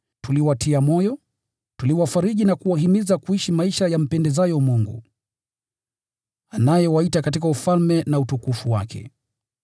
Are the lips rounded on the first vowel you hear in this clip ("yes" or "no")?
yes